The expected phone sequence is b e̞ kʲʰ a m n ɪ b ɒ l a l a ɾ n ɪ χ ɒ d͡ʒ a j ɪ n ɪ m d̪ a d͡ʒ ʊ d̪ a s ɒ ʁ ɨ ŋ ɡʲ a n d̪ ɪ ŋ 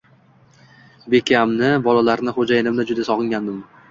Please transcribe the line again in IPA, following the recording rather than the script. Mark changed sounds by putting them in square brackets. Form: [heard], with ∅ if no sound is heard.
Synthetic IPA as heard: b e̞ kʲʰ a m n ɪ b ɒ l a l a ɾ n ɪ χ [o] d͡ʒ a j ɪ n ɪ m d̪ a d͡ʒ ʊ d̪ a s ɒ ʁ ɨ ŋ ɡʲ a n d̪ ɪ [m]